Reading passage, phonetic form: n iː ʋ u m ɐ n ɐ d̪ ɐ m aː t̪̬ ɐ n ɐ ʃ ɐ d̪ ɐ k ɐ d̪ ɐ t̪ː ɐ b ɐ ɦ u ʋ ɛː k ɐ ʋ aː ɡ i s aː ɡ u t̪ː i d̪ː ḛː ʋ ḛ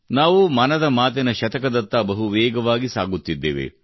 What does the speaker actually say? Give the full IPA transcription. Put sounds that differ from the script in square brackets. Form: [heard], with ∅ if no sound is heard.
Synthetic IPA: n [aː] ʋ u m ɐ n ɐ d̪ ɐ m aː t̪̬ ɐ n ɐ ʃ ɐ [t̪] ɐ k ɐ d̪ ɐ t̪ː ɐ b ɐ ɦ u ʋ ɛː [ɡ] ɐ ʋ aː ɡ i s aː ɡ u t̪ː i d̪ː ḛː ʋ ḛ